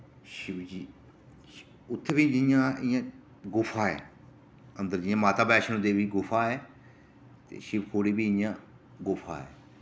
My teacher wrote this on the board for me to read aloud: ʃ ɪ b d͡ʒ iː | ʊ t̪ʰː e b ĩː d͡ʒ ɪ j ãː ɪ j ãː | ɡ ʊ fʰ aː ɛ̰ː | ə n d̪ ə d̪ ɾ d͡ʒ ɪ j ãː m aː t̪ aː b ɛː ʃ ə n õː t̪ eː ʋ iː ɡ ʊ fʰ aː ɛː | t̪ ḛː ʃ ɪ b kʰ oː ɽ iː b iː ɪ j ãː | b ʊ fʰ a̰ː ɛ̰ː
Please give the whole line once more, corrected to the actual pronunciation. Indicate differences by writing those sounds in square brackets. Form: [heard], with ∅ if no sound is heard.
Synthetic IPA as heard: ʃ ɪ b d͡ʒ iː | ʊ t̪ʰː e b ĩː d͡ʒ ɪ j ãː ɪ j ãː | ɡ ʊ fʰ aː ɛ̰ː | ə n d̪ ə [∅] ɾ d͡ʒ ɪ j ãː m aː t̪ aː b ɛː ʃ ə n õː [d̪] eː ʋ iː ɡ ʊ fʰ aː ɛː | t̪ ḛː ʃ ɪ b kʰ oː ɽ iː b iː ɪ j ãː | [ɡ] ʊ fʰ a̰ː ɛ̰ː